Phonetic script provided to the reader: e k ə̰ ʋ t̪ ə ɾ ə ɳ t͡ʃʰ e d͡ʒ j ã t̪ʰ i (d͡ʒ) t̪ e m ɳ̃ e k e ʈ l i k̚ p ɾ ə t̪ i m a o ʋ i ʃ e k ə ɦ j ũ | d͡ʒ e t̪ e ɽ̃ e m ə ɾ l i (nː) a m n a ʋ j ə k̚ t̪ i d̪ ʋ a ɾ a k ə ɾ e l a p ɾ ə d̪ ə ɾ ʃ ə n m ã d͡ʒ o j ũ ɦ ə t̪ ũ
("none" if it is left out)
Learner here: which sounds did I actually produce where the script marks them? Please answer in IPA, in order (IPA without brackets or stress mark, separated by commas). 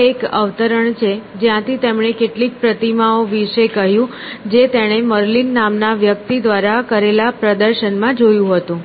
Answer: none, nː